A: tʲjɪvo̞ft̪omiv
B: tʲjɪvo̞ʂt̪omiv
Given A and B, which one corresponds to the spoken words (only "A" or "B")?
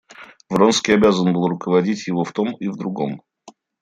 A